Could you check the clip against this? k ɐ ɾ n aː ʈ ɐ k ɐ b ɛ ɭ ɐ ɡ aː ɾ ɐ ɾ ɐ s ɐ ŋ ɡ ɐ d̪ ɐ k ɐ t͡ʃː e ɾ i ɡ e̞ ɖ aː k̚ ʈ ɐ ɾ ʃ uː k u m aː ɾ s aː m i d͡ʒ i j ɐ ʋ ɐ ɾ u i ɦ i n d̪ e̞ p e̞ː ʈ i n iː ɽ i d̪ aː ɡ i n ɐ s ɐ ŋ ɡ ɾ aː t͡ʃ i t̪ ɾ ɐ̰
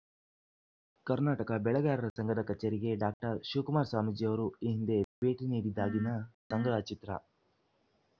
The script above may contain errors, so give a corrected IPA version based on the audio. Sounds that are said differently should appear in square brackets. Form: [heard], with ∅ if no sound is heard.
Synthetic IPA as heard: k ɐ ɾ n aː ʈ ɐ k ɐ b ɛ ɭ ɐ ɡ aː ɾ ɐ ɾ ɐ s ɐ ŋ ɡ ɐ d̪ ɐ k ɐ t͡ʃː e ɾ i ɡ e̞ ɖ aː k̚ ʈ ɐ ɾ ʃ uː k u m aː ɾ s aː m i d͡ʒ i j ɐ ʋ ɐ ɾ u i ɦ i n d̪ e̞ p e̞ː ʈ i n iː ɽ i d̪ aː ɡ i n ɐ s ɐ ŋ ɡ ɾ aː t͡ʃ i t̪ ɾ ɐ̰